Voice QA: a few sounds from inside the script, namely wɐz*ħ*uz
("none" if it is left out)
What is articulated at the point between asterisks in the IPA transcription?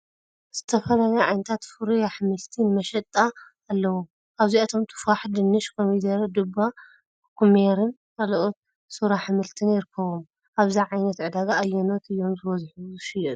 ħ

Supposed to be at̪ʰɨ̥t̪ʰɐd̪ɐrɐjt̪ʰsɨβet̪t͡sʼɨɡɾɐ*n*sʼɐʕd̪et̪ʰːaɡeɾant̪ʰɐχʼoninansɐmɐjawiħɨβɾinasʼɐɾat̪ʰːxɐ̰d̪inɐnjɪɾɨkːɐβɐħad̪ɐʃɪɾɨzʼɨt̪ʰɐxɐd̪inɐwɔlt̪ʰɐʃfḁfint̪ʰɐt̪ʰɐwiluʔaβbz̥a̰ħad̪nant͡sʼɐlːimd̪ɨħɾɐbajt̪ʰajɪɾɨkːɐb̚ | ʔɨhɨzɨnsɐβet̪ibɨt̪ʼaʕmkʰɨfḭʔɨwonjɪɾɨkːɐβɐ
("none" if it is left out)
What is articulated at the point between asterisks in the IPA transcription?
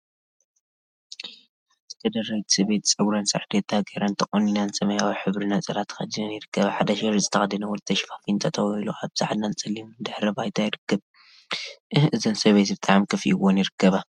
n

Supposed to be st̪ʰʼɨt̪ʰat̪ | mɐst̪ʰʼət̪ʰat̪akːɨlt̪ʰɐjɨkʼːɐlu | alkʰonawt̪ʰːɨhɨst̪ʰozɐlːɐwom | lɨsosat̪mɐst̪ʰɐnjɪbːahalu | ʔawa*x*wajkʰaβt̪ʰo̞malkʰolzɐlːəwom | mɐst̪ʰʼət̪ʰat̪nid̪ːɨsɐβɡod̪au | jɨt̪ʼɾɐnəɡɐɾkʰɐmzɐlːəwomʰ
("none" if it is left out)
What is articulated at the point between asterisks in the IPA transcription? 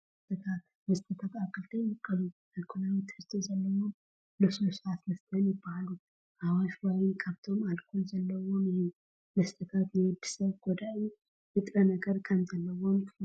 ʃ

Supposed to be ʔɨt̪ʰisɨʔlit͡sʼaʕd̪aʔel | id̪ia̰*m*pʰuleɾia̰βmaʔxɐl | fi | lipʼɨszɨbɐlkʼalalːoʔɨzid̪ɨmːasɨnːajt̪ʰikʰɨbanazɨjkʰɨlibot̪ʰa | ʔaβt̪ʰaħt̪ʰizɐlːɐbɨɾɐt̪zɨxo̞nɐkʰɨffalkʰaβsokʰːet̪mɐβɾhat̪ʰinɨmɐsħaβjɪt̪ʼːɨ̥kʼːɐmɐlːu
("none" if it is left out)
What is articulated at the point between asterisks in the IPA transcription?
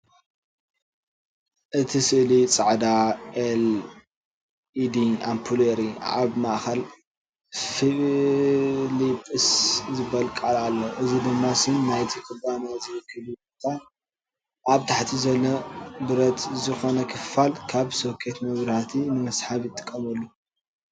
m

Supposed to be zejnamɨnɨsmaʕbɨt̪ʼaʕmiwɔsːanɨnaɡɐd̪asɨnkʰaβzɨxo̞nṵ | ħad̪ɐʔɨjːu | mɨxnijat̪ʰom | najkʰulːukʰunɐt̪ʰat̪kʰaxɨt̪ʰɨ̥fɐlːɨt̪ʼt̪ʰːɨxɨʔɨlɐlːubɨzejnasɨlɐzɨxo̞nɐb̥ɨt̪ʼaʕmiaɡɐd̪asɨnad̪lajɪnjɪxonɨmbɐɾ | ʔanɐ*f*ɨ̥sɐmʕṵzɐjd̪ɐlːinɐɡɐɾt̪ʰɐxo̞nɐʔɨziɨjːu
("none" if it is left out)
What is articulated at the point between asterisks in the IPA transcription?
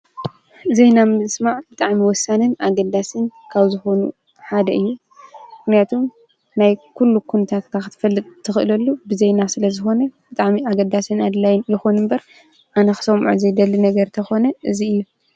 x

